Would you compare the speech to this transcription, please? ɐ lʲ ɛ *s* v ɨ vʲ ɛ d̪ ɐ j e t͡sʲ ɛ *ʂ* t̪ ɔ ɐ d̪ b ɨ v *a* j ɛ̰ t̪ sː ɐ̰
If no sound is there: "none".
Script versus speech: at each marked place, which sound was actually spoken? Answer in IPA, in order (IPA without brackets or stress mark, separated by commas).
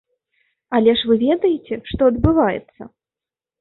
ʂ, ʂ, a